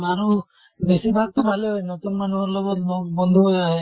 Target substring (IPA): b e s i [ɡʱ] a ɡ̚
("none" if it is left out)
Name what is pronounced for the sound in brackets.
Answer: bʱ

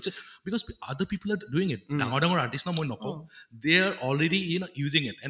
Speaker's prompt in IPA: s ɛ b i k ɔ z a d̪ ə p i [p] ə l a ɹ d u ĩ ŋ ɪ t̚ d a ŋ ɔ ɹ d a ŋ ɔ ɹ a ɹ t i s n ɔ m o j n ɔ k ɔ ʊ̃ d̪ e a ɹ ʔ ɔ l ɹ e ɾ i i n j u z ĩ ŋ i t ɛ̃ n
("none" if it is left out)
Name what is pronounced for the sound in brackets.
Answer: p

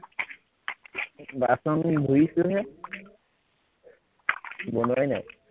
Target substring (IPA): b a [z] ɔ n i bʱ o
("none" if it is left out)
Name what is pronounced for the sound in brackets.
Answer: s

